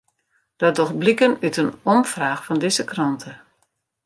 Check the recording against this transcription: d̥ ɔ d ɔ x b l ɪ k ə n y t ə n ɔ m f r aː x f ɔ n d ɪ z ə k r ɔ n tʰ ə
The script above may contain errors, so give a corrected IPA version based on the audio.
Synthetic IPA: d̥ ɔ d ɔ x b l i k ə n y t ə n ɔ m f r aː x f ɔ n d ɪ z ə k r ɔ n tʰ ə